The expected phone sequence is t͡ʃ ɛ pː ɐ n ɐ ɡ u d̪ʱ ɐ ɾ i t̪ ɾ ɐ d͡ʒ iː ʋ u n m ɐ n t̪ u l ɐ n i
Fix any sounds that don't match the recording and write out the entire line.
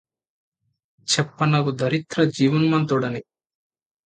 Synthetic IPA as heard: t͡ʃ ɛ pː ɐ n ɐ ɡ u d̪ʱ ɐ ɾ i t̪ ɾ ɐ d͡ʒ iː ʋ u n m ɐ n t̪ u ɽ ɐ n i